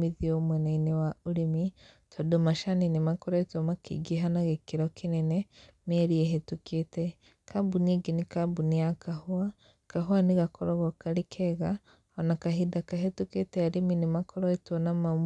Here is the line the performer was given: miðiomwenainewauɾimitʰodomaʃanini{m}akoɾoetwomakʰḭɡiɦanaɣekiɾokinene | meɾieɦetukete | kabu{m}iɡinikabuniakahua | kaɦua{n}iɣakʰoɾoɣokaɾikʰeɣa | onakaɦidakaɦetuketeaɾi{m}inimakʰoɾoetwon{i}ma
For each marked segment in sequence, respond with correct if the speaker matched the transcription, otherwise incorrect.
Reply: correct, incorrect, correct, correct, incorrect

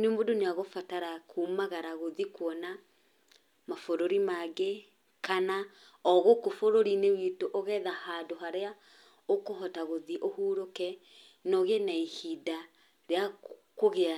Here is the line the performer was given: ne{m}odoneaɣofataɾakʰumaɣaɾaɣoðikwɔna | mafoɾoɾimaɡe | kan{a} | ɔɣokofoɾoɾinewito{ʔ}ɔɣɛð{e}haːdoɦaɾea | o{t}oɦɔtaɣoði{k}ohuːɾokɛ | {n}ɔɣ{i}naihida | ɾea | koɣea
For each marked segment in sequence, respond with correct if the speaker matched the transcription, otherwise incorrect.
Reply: correct, correct, correct, incorrect, incorrect, incorrect, correct, incorrect

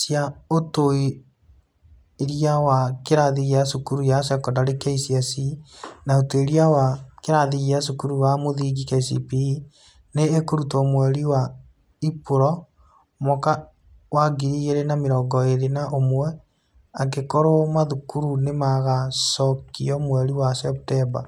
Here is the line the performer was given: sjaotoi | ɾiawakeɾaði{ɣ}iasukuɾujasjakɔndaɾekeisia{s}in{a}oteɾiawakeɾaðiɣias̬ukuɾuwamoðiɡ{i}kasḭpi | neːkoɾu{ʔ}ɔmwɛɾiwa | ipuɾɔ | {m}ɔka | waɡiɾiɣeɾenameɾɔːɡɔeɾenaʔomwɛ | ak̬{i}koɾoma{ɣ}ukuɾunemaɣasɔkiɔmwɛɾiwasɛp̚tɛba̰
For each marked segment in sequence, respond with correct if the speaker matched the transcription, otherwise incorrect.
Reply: correct, correct, correct, correct, incorrect, correct, incorrect, incorrect

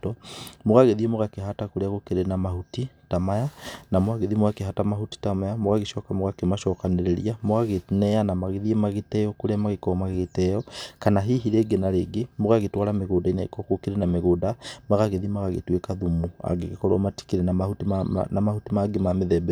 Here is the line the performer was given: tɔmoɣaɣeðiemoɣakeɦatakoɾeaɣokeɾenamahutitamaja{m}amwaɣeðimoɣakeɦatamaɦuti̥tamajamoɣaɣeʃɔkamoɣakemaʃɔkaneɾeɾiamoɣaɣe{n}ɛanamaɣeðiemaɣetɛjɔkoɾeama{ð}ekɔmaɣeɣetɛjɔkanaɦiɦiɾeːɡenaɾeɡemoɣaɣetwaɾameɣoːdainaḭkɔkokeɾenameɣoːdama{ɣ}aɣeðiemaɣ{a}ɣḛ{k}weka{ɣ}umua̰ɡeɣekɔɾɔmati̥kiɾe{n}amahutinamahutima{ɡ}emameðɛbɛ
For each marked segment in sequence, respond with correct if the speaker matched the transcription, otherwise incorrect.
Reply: incorrect, correct, incorrect, correct, correct, incorrect, incorrect, correct, correct

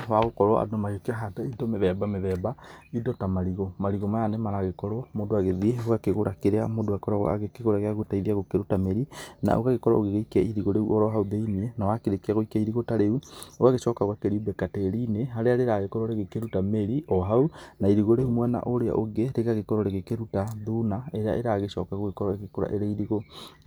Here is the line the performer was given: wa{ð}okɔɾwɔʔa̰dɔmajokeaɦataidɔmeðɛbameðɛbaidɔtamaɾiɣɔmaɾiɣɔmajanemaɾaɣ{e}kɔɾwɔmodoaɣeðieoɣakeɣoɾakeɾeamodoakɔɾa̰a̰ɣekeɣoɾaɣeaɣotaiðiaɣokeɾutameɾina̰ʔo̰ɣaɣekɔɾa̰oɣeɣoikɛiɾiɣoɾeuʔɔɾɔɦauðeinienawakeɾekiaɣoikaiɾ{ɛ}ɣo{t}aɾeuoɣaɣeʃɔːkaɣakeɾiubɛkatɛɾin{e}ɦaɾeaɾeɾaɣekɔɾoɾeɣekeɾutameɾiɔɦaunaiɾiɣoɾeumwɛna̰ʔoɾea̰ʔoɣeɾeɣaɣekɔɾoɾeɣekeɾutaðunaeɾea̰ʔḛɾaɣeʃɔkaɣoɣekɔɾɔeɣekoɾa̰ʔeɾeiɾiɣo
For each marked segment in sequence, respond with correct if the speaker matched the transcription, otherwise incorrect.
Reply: incorrect, correct, incorrect, correct, correct

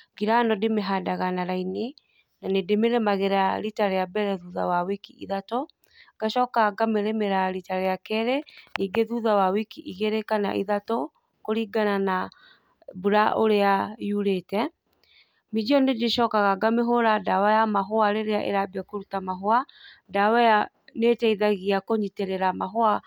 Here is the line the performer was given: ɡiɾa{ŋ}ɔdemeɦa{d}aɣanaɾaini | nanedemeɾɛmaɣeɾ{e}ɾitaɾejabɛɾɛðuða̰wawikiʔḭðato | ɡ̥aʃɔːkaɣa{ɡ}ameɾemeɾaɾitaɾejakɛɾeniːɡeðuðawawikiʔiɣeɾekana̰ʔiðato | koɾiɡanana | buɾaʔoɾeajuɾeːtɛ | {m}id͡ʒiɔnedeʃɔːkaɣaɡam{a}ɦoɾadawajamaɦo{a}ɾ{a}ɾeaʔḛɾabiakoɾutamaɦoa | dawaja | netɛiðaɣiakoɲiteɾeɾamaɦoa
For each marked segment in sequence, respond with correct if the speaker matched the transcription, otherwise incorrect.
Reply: incorrect, correct, incorrect, correct, correct, incorrect, correct, incorrect

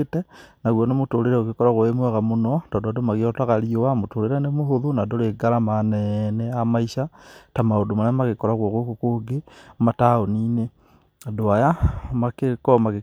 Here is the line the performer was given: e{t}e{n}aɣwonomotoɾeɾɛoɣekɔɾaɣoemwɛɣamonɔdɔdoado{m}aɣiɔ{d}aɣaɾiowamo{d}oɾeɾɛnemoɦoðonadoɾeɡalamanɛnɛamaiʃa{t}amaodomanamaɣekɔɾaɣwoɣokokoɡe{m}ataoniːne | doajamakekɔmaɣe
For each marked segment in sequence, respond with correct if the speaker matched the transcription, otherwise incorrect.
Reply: correct, correct, correct, incorrect, incorrect, correct, correct

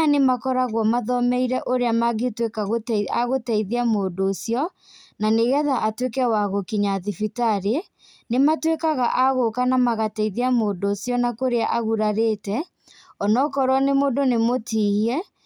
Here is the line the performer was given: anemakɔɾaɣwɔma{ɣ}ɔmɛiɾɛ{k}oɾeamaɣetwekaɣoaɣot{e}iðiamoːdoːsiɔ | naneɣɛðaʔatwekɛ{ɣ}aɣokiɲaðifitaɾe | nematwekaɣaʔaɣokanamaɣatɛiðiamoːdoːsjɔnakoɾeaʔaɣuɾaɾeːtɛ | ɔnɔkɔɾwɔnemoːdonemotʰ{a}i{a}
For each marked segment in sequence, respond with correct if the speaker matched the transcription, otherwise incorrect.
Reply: incorrect, incorrect, incorrect, incorrect, incorrect, incorrect

